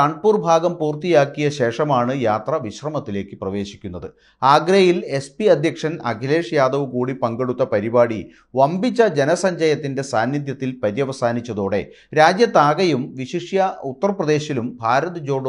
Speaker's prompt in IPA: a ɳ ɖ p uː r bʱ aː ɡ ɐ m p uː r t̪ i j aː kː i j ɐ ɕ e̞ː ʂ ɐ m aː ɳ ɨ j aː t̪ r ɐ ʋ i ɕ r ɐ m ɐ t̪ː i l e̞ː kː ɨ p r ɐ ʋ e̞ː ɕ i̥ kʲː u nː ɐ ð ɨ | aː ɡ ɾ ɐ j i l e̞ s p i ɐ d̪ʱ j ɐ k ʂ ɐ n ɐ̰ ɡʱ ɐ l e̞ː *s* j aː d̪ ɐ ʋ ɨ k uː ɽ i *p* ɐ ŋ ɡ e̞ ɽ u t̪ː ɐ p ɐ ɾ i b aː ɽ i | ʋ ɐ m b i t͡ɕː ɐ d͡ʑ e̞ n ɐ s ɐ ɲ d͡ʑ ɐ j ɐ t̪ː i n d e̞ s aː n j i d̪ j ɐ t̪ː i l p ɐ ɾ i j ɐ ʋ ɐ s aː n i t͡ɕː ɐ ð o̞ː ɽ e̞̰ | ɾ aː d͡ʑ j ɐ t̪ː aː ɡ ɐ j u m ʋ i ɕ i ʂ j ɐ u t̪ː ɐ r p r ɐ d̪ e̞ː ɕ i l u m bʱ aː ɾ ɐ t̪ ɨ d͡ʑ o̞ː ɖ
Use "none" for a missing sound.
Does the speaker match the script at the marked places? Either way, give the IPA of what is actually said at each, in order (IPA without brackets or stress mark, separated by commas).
ʂ, p